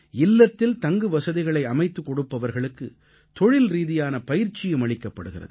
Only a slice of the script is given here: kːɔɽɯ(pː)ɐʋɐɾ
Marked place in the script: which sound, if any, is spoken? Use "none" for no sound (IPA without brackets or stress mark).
pː